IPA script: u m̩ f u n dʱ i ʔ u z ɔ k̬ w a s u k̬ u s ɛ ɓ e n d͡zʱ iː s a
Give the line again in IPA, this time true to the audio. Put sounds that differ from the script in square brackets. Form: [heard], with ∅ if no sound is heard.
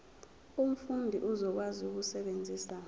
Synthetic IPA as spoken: u m̩ f u n dʱ i ʔ u z ɔ k̬ w a [z] u k̬ u s ɛ ɓ e n d͡zʱ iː s a